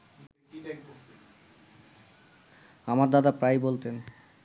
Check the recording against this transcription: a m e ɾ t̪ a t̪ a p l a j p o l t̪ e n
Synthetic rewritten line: a m a ɾ d̪ a d̪ a p ɾ a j b o l t̪ e n